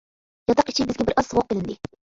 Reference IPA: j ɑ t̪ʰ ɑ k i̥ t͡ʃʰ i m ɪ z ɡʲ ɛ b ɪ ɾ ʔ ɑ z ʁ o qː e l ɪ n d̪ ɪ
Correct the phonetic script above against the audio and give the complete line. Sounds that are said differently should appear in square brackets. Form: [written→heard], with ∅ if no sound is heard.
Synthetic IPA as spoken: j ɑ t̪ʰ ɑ [k→q] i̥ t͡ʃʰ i [m→b] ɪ z ɡʲ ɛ b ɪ ɾ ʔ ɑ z ʁ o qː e l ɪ n d̪ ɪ